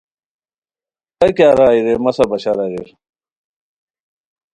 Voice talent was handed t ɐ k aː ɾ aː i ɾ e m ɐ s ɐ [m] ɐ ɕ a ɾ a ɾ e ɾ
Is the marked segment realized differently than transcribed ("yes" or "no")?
yes